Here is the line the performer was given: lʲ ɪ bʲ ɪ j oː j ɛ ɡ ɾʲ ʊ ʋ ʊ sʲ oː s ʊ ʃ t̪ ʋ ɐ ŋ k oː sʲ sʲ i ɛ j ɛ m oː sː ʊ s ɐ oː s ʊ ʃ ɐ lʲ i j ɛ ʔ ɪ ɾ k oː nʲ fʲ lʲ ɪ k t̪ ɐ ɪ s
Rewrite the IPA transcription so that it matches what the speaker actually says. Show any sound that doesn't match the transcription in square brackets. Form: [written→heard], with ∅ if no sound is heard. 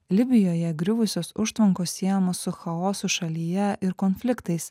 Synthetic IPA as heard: lʲ ɪ bʲ ɪ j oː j ɛ ɡ ɾʲ ʊ ʋ ʊ sʲ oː s ʊ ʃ t̪ ʋ ɐ ŋ k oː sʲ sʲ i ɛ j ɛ m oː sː ʊ [s→x] ɐ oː s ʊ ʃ ɐ lʲ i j ɛ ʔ ɪ ɾ k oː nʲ fʲ lʲ ɪ k t̪ ɐ ɪ s